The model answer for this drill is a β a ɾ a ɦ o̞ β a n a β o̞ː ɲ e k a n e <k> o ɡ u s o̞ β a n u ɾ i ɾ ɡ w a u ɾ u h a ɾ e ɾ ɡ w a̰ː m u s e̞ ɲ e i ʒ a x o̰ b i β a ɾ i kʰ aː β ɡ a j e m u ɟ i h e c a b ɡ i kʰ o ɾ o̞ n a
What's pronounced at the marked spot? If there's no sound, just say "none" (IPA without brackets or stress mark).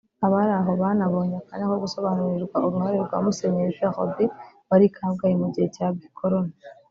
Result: k